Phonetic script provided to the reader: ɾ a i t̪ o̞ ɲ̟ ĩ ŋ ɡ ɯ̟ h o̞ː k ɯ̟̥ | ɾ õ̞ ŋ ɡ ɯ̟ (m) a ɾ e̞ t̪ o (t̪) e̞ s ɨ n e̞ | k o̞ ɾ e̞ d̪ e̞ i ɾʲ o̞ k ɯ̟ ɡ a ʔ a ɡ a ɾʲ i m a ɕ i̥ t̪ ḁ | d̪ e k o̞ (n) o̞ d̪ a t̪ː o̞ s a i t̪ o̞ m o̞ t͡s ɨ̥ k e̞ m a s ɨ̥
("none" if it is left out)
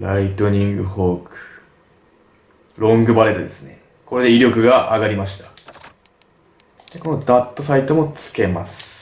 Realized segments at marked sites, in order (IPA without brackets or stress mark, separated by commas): b, d̪, n